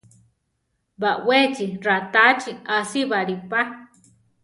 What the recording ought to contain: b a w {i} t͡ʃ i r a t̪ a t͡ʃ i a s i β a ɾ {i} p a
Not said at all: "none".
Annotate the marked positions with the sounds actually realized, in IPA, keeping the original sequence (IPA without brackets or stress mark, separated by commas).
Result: e, i